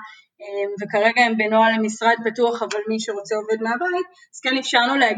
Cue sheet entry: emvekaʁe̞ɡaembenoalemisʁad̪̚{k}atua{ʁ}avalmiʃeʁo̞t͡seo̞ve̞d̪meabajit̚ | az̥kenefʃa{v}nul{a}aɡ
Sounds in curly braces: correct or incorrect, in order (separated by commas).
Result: incorrect, incorrect, incorrect, incorrect